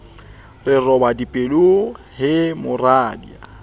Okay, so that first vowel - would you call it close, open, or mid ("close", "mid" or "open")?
close